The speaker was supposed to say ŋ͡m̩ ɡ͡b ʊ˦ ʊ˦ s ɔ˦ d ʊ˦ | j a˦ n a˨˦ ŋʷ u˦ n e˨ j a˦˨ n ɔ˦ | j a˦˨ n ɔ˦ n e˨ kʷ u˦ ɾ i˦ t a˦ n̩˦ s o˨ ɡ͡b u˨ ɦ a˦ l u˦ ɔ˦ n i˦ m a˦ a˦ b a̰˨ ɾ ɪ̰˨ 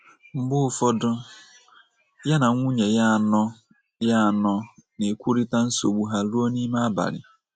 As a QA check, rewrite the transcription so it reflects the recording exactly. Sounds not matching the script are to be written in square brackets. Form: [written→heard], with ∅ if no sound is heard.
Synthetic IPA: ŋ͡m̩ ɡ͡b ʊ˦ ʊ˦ [s→f] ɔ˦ d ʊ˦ | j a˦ n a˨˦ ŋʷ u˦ [n→ɲ] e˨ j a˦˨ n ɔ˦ | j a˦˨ n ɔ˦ n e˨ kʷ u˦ ɾ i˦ t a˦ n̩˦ s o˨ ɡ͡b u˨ ɦ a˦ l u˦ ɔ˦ n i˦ m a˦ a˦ b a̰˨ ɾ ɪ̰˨